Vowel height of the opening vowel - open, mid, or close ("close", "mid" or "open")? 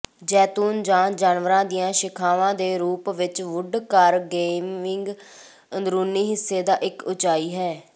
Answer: mid